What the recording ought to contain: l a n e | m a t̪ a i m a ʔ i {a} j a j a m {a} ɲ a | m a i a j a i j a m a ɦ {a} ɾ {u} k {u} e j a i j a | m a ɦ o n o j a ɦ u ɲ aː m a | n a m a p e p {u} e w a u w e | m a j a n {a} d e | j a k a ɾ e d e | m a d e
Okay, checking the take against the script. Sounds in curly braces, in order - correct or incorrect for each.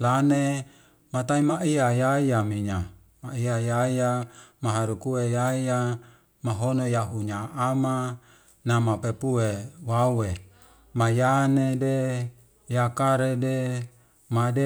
correct, incorrect: i, correct, correct, correct, correct, incorrect: e

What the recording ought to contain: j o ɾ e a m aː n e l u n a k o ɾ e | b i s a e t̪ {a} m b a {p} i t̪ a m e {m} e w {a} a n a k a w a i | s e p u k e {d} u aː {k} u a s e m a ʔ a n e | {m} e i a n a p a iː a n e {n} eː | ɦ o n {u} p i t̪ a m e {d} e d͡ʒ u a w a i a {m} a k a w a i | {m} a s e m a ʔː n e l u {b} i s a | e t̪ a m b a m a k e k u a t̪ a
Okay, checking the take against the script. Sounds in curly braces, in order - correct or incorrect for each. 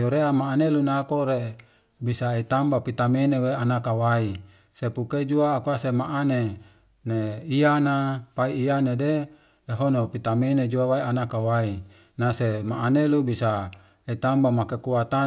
correct, correct, incorrect: n, incorrect: e, incorrect: d͡ʒ, correct, incorrect: n, incorrect: d, incorrect: o, incorrect: n, incorrect: n, incorrect: n, correct

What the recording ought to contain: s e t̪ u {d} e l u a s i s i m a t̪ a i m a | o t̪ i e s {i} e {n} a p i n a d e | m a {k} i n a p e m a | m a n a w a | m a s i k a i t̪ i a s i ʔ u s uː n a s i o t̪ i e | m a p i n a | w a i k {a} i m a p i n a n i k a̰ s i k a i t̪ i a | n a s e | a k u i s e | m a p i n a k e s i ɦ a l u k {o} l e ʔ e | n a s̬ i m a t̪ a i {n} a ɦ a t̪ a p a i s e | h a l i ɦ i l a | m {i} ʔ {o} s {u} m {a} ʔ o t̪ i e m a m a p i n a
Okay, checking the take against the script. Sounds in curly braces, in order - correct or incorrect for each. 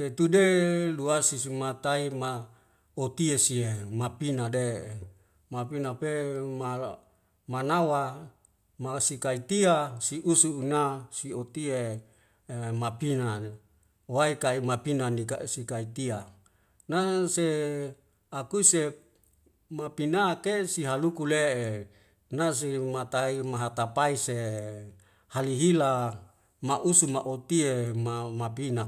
correct, correct, incorrect: m, incorrect: p, correct, incorrect: u, incorrect: m, incorrect: a, incorrect: u, correct, correct

